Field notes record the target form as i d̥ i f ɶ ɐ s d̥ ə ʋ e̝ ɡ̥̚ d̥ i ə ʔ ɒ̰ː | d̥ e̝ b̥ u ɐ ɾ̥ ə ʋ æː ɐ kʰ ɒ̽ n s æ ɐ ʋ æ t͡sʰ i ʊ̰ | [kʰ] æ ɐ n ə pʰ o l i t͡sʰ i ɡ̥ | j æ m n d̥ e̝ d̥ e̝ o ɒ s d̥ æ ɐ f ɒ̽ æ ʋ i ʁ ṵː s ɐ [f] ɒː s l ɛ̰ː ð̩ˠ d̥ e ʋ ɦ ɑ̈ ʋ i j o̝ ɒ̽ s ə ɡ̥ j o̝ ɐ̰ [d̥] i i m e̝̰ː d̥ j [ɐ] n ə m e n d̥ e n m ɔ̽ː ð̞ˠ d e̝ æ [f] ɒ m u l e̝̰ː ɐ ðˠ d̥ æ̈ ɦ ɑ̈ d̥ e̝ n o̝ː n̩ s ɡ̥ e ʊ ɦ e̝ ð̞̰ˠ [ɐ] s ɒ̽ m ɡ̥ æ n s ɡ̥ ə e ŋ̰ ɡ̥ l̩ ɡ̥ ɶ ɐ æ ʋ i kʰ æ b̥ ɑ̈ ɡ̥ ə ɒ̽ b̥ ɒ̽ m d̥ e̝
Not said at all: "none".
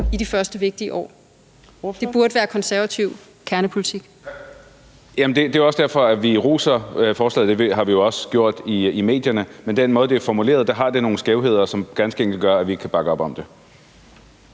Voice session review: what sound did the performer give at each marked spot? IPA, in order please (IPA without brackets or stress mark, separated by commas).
kʰ, f, d̥, ɐ, f, ɐ